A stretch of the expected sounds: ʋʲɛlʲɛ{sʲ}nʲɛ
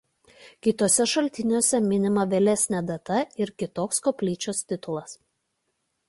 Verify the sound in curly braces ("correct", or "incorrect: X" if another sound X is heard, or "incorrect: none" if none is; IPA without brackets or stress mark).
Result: correct